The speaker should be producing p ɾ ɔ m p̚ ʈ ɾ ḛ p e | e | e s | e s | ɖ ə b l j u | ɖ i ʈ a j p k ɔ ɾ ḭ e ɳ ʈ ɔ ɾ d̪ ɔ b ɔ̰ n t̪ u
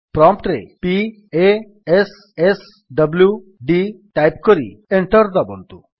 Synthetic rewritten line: p ɾ ɔ m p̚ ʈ ɾ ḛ p i | e | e s | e s | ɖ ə b l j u | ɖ i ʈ a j p k ɔ ɾ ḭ e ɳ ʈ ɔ ɾ d̪ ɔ b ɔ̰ n t̪ u